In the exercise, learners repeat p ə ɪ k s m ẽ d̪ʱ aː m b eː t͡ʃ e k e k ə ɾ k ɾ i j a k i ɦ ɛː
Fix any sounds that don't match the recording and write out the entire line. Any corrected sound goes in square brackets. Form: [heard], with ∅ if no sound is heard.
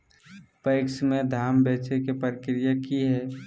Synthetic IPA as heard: p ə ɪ k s m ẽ d̪ʱ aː m b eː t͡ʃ e k e [p] ə ɾ k ɾ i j a k i ɦ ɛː